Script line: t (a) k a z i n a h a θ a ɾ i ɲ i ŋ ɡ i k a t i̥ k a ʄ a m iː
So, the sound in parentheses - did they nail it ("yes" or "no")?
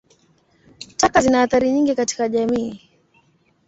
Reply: yes